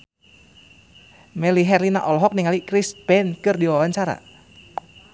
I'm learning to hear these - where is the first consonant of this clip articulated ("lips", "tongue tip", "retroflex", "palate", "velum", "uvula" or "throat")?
lips